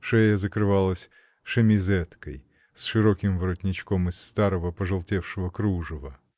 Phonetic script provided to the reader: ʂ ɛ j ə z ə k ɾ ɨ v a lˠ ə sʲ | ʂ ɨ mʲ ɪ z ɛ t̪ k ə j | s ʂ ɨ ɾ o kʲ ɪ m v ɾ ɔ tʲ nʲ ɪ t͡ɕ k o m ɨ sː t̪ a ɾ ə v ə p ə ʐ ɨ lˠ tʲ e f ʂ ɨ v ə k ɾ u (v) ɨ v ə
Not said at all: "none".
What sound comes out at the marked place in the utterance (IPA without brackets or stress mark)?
ʐ